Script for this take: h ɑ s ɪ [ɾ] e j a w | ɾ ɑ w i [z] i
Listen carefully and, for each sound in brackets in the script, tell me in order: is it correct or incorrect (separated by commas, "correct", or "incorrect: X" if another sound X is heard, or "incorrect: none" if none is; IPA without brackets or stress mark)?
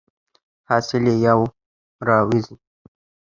incorrect: l, correct